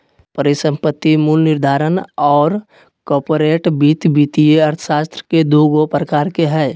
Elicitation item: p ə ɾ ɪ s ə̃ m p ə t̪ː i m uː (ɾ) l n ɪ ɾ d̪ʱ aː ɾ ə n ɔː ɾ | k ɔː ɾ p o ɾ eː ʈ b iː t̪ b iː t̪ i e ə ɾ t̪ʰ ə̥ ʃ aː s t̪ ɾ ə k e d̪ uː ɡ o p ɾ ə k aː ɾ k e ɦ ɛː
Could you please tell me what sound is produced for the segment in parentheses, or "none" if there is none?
none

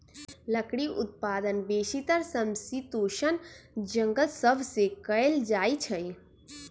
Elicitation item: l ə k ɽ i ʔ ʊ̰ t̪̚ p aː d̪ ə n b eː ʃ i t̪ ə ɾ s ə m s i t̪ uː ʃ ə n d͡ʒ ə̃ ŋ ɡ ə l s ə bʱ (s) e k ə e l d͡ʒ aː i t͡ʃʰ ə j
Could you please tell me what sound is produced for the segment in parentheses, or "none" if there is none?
s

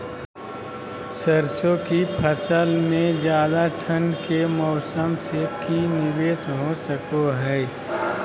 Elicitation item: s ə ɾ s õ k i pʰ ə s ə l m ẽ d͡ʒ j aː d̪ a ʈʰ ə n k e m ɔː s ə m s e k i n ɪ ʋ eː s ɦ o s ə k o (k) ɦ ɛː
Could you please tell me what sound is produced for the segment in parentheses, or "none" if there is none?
none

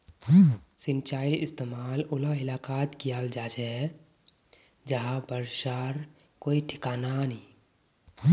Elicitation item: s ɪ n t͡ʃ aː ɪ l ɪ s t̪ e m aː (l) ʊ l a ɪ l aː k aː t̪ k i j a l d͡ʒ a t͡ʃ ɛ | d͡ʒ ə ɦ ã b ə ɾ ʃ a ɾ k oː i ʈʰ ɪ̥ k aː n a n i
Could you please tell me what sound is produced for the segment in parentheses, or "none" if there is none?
l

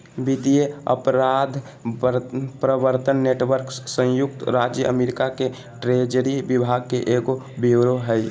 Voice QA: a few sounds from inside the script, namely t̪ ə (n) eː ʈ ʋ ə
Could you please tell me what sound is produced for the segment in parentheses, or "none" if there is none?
nː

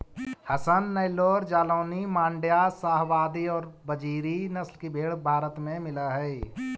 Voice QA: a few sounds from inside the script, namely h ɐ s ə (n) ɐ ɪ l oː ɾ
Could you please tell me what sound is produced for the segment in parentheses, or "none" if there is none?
nː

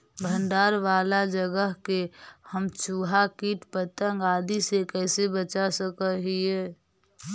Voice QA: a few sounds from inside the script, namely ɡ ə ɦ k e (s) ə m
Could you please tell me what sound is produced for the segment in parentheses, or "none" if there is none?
h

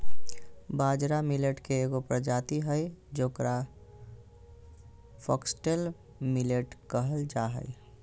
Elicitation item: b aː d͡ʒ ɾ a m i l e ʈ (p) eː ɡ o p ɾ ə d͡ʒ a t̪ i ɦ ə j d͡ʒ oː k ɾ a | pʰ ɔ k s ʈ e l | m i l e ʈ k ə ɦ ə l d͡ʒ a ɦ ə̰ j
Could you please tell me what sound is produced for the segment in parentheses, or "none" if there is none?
k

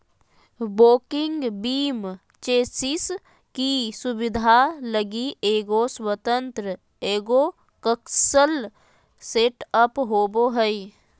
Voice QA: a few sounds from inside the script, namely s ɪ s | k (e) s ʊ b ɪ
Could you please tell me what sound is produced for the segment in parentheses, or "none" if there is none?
i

